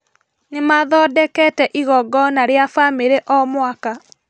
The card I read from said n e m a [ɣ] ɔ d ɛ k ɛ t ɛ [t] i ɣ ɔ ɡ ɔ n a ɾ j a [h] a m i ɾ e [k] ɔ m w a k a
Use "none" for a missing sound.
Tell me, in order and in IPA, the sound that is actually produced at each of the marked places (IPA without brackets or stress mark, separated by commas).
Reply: ð, ʔ, f, ʔ